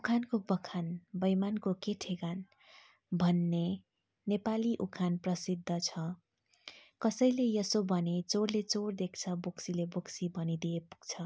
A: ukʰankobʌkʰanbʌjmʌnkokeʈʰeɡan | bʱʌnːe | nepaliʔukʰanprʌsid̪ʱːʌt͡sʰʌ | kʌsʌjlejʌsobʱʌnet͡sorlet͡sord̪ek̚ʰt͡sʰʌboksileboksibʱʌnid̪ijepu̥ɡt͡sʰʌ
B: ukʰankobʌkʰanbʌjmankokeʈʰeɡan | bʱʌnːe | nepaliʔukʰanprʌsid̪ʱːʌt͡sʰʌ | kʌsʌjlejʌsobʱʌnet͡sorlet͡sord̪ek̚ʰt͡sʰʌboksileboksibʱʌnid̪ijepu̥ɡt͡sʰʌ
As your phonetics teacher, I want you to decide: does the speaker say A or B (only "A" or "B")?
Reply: B